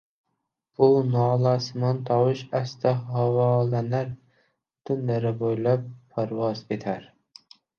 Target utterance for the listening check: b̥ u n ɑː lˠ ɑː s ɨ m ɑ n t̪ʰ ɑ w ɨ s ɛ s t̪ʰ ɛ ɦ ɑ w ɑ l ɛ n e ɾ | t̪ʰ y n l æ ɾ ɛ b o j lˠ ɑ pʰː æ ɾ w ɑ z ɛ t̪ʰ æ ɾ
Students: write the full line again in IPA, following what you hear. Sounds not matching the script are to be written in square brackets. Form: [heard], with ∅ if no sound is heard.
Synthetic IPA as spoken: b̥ u n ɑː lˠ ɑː s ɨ m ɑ n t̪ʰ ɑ w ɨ [ʃ] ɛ s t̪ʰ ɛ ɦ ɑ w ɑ l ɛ n [æ] ɾ | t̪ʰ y n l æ ɾ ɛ b o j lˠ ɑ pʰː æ ɾ w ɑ z [e] t̪ʰ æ ɾ